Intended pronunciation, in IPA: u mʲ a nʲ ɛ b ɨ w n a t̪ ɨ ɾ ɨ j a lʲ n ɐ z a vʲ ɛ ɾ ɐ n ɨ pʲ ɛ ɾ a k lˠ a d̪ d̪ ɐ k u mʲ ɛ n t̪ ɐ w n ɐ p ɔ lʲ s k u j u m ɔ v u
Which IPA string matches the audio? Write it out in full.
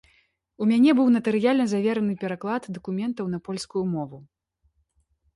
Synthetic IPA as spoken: u mʲ a nʲ ɛ b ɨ w n ɐ t̪ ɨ ɾ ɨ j a lʲ n ɐ z a vʲ ɛ ɾ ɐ n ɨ pʲ ɛ ɾ a k lˠ a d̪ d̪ ɐ k u mʲ ɛ n t̪ ɐ w n ɐ p ɔ lʲ s k u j u m ɔ v u